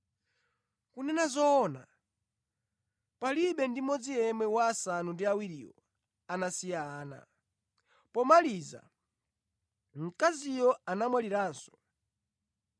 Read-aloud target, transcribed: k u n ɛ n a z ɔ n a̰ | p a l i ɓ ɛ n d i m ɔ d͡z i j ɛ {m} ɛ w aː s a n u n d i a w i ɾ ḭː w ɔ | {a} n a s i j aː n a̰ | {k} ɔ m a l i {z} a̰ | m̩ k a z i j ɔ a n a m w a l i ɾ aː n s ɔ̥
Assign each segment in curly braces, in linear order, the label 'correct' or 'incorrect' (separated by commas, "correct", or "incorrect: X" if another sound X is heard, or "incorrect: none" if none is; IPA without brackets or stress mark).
correct, correct, incorrect: p, correct